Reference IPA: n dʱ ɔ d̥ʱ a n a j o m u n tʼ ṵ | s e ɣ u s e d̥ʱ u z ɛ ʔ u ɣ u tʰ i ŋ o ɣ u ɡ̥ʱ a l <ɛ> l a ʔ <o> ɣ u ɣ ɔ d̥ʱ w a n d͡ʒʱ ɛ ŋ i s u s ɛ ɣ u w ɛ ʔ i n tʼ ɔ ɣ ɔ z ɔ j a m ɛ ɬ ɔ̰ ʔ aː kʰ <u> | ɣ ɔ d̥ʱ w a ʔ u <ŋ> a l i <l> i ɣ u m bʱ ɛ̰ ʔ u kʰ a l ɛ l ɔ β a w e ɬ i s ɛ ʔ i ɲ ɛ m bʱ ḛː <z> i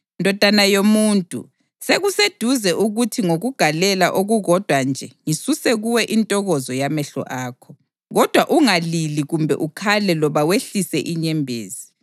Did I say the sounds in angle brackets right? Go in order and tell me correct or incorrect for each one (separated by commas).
correct, correct, incorrect, correct, correct, correct